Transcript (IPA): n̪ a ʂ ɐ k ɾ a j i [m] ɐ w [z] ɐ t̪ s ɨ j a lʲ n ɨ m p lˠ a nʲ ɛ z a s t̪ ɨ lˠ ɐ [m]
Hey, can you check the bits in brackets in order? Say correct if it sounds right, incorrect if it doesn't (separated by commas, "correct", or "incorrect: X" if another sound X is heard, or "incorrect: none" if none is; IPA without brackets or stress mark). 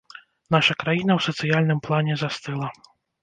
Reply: incorrect: n, incorrect: s, incorrect: none